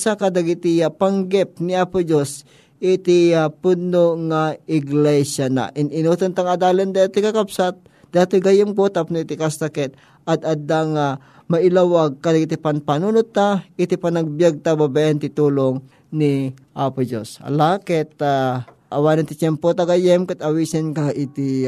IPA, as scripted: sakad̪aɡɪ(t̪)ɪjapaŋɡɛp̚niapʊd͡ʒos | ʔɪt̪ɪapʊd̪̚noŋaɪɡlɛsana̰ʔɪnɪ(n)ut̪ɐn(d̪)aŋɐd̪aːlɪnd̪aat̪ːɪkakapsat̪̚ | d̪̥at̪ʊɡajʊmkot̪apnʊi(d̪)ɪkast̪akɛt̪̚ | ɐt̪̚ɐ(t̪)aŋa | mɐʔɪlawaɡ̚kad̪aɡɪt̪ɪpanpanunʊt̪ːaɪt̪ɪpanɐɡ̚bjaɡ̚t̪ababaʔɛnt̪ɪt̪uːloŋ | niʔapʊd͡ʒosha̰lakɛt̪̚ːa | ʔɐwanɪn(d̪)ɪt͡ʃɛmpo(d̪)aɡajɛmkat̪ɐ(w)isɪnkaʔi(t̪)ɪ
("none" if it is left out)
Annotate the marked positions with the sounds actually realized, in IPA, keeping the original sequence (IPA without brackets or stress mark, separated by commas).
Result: t̪, n, t̪, t̪, d̪, t̪, t̪, w, t̪